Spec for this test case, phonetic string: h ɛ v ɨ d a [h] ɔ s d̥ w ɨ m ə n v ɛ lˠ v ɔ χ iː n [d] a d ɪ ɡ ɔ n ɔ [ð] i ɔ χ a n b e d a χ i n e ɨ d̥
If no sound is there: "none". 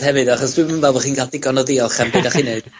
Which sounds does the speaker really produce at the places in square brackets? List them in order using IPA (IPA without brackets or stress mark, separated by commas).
χ, ɡ, ð